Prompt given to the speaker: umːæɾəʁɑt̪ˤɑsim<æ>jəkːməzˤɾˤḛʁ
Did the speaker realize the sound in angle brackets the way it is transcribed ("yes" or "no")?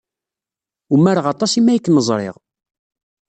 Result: yes